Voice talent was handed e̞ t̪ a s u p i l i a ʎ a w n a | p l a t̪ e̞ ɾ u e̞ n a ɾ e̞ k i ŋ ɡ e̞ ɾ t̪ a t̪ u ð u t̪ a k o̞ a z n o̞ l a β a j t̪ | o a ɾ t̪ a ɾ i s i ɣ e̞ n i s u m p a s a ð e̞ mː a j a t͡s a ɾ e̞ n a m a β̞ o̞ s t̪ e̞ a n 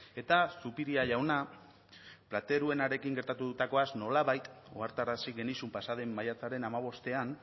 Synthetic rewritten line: e̞ t̪ a s u p i ɾ i a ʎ a w n a | p l a t̪ e̞ ɾ u e̞ n a ɾ e̞ k i ŋ ɡ e̞ ɾ t̪ a t̪ u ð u t̪ a k o̞ a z n o̞ l a β a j t̪ | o a ɾ t̪ a ɾ a s i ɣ e̞ n i s u m p a s a ð e̞ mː a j a t͡s a ɾ e̞ n a m a β̞ o̞ s t̪ e̞ a n